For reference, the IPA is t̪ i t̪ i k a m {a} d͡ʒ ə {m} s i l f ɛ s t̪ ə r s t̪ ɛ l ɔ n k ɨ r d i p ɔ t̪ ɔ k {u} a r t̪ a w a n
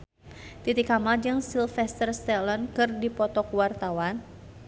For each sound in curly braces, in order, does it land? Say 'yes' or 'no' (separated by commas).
yes, no, no